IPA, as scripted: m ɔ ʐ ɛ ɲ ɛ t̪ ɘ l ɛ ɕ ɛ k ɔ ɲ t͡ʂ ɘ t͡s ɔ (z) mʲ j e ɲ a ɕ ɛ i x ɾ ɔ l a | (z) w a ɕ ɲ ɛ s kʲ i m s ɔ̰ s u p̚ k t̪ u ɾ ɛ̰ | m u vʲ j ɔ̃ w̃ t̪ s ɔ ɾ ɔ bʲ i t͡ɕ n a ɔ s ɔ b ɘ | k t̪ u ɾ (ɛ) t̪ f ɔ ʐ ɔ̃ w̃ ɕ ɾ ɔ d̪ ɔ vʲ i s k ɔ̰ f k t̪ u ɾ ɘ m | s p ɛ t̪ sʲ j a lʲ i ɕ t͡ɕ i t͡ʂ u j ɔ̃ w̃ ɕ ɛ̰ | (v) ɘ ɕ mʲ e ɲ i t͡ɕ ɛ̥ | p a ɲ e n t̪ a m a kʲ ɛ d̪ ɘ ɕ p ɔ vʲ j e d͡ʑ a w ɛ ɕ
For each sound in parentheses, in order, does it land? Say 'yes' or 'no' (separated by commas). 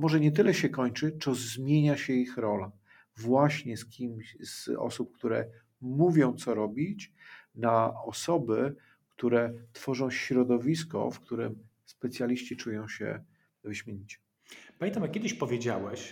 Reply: yes, no, yes, yes